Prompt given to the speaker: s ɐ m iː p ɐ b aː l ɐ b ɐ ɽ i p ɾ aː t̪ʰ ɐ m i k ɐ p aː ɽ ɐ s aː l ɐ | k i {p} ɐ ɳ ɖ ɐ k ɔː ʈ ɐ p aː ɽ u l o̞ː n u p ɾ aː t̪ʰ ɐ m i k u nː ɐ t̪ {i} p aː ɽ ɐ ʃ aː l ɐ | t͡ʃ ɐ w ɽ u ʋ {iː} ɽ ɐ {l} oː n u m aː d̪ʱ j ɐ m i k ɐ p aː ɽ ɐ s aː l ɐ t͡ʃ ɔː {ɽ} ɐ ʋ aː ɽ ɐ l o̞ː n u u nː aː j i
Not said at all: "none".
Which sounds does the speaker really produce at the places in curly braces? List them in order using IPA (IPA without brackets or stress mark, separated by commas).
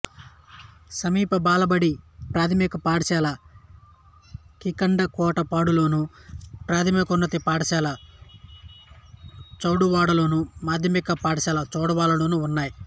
k, i, aː, l, ɽ